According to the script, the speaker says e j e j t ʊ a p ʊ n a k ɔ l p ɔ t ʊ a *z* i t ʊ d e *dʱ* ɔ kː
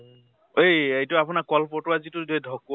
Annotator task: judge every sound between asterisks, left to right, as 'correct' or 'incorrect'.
correct, correct

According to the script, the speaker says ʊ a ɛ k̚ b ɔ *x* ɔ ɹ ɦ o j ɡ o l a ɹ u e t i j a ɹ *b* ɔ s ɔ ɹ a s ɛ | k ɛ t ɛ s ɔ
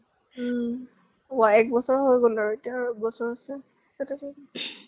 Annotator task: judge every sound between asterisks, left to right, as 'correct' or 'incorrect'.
incorrect: s, correct

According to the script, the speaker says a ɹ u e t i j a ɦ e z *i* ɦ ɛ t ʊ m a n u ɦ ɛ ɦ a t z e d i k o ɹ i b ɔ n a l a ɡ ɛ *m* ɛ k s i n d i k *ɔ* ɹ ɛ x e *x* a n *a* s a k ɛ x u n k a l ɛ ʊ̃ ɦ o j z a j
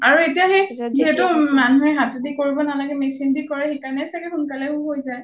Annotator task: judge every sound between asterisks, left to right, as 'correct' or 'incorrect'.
correct, correct, correct, incorrect: k, incorrect: ɛ

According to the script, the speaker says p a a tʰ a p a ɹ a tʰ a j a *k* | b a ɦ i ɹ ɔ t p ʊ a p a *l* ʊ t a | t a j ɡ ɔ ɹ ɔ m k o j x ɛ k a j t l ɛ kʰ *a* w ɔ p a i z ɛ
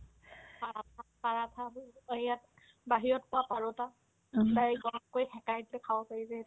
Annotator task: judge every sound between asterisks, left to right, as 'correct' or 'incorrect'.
incorrect: t, incorrect: ɹ, correct

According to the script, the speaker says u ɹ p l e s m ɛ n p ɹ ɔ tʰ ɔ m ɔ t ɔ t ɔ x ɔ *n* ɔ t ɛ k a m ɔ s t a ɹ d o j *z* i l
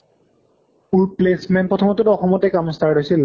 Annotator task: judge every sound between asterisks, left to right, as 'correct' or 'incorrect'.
incorrect: m, incorrect: s

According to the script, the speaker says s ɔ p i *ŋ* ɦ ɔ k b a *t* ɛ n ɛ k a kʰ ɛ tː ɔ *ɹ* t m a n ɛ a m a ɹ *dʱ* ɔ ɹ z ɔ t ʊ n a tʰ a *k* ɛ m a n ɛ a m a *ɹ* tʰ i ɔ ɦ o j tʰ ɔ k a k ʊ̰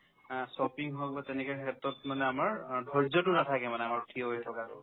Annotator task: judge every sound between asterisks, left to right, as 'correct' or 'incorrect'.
correct, correct, incorrect: none, correct, correct, correct

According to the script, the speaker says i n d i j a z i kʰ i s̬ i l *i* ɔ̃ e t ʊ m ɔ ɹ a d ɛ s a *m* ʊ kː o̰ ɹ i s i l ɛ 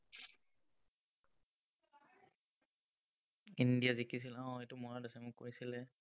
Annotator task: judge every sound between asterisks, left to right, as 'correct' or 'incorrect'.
incorrect: a, correct

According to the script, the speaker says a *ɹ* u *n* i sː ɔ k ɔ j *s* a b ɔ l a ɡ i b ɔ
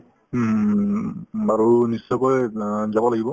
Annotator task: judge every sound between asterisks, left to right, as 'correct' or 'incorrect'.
correct, correct, incorrect: z

